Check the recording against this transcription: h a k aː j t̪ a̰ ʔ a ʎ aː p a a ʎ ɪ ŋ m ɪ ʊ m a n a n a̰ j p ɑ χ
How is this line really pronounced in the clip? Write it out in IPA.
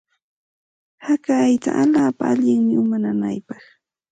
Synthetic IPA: h a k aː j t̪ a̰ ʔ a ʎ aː p a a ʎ ɪ ŋ m ɪ ʊ m a n a n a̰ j p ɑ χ